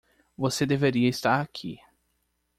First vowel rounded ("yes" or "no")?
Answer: yes